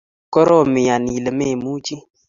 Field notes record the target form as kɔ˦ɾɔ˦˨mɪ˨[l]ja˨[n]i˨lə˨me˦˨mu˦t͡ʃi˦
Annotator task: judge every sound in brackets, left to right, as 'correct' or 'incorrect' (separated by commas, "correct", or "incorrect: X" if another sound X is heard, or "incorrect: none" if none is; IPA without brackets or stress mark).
incorrect: none, correct